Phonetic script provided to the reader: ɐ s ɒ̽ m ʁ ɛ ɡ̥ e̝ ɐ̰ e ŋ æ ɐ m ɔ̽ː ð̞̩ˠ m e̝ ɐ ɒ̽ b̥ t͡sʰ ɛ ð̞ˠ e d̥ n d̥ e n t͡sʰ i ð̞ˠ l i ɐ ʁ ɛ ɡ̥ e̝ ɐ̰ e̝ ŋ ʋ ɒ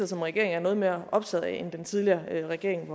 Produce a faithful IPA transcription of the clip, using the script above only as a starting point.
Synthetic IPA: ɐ s ɒ̽ m ʁ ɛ ɡ̥ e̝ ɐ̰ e ŋ æ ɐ n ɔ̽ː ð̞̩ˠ m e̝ ɐ ɒ̽ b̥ t͡sʰ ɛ ð̞ˠ e n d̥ e n t͡sʰ i ð̞ˠ l i ɐ ʁ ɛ ɡ̥ e̝ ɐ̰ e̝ ŋ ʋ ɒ